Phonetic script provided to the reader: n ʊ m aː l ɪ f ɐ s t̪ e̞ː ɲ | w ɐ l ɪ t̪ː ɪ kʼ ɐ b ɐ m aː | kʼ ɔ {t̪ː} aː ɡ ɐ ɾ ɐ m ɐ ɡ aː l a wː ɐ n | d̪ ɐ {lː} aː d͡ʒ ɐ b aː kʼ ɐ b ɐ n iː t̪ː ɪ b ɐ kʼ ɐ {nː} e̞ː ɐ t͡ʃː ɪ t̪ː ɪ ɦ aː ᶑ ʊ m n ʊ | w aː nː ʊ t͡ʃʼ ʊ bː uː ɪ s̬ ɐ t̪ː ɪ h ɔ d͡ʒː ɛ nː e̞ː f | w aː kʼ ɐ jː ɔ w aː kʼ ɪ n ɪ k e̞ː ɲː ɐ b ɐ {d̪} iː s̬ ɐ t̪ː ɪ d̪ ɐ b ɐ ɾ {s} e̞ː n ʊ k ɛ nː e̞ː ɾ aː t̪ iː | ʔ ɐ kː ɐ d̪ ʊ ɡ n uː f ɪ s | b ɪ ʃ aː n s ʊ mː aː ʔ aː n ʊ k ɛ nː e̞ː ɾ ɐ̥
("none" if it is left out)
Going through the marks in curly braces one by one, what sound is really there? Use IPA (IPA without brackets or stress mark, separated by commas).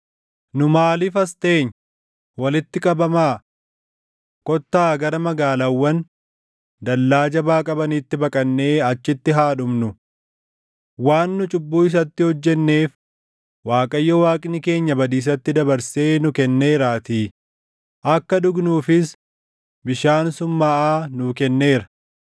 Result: t̪ː, lː, nː, d̪, s